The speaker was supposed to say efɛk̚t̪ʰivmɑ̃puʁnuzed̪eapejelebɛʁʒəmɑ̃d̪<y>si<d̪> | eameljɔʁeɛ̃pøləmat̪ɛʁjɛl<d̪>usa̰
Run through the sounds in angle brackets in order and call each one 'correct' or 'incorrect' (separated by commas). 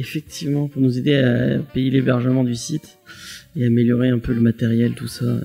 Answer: correct, incorrect, incorrect